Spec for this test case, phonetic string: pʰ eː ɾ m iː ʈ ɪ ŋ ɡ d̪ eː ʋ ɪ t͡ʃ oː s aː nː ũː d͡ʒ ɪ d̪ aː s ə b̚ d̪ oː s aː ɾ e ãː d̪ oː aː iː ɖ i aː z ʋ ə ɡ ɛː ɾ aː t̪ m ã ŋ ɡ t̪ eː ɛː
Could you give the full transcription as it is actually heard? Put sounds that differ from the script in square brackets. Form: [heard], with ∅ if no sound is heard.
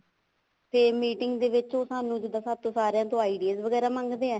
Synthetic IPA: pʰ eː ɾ m iː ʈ ɪ ŋ ɡ d̪ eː ʋ ɪ t͡ʃ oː s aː [n] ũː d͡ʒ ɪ d̪ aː s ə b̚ [t̪] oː s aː ɾ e ãː [t̪] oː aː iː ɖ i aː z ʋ ə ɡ ɛː ɾ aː [∅] m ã ŋ ɡ [d̪] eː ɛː